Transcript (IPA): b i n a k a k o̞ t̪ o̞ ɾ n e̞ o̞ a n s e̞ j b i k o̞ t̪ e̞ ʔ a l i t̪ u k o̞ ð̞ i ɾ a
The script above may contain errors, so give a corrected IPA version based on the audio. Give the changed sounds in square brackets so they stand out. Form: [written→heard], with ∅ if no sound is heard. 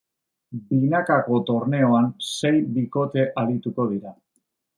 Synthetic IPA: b i n a k a k o̞ t̪ o̞ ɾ n e̞ o̞ a n s e̞ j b i k o̞ t̪ e̞ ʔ a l i t̪ u k o̞ ð̞ i ɾ a